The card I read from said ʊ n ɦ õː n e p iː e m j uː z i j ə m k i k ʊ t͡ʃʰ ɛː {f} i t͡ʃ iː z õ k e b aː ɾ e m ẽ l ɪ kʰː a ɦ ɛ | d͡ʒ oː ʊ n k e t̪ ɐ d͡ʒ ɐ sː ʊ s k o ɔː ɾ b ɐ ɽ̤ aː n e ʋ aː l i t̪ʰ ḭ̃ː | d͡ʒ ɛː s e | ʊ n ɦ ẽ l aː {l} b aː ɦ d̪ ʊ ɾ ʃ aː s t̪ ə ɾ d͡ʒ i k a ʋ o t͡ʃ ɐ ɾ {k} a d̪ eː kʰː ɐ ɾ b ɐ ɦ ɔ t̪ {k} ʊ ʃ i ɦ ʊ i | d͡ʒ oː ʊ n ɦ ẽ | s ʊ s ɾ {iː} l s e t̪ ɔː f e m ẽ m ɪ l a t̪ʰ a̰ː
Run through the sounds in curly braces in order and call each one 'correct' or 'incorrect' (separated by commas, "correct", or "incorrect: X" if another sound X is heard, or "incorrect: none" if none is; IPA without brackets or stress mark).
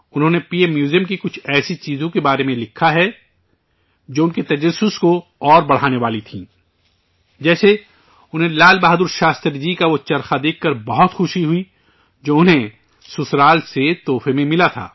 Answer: incorrect: s, correct, incorrect: x, incorrect: x, incorrect: aː